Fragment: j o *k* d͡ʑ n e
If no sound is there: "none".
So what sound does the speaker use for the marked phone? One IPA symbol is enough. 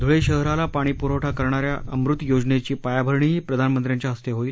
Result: none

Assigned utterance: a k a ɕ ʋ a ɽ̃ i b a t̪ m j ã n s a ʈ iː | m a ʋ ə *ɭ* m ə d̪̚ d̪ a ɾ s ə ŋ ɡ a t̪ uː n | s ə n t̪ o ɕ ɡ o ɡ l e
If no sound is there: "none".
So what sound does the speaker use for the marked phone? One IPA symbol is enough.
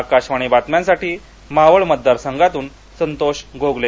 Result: ɭ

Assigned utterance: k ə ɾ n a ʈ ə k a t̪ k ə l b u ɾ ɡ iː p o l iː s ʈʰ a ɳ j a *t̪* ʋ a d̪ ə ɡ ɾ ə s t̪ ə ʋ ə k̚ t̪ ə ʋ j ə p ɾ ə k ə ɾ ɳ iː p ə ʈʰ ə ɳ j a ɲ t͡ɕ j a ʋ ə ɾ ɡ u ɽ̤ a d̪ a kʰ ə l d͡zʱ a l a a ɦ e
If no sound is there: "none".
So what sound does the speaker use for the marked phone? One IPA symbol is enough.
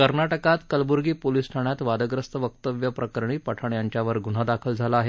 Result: t̪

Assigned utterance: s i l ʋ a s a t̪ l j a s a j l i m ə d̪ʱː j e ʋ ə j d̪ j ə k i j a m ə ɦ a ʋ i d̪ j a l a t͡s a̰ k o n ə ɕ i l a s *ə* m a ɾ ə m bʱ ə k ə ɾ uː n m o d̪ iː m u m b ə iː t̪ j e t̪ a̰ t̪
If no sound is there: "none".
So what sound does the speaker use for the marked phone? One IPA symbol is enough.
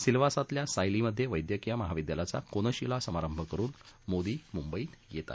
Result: ə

